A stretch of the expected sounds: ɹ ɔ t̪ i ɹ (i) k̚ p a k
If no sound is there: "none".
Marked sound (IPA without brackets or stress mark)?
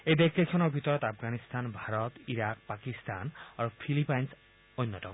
a